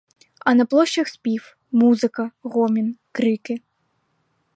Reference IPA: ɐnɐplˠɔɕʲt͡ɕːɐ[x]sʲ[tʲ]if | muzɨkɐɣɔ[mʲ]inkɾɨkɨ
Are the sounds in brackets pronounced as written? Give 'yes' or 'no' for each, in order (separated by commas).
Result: yes, no, yes